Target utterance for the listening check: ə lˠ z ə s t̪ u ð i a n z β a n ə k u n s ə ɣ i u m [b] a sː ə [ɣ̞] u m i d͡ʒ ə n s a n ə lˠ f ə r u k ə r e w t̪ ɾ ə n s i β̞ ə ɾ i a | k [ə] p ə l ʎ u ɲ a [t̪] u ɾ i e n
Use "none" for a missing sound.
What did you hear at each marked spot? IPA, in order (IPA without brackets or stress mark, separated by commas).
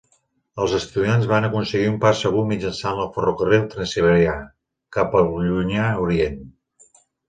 p, ɣ̞, a, none